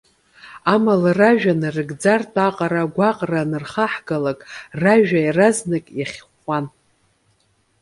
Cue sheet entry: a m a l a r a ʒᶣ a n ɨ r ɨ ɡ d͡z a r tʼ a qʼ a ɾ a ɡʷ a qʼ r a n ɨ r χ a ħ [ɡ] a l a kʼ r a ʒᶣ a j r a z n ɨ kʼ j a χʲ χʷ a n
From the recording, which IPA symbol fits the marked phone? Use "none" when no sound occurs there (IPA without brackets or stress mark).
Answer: ɡ